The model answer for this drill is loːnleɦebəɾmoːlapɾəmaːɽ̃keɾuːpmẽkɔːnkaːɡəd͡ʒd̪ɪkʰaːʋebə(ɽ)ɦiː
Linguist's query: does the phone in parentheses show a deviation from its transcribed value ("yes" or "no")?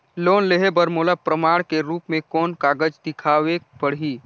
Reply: no